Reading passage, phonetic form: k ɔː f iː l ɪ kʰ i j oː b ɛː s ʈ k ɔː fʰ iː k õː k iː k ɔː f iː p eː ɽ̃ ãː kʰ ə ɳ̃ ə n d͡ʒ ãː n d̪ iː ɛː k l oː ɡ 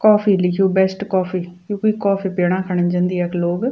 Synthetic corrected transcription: k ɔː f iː l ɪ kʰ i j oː b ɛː s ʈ k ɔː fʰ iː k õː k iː k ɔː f iː p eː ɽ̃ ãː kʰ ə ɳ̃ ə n d͡ʒ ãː n d̪ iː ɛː k l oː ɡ